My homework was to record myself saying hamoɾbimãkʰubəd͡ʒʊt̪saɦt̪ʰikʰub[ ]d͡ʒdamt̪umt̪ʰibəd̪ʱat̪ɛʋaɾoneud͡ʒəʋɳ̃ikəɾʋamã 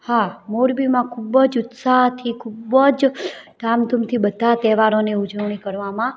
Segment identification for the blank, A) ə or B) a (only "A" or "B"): A